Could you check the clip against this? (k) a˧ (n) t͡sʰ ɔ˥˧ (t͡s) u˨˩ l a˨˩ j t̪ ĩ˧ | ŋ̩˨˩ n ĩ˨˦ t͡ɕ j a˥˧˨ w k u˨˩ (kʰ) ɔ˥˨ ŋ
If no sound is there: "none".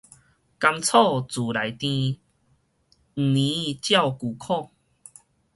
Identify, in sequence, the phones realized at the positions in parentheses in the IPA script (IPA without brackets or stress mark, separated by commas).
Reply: k, m, t͡s, kʰ